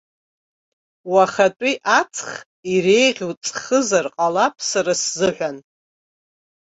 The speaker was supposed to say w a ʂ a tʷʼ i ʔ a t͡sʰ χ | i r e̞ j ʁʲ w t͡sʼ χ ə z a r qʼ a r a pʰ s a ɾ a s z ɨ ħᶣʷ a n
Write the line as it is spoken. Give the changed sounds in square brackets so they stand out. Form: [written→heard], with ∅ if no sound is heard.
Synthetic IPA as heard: w a [ʂ→χ] a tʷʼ i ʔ a t͡sʰ χ | i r e̞ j ʁʲ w t͡sʼ χ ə z a r qʼ a [r→l] a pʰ s a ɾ a s z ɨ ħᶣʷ a n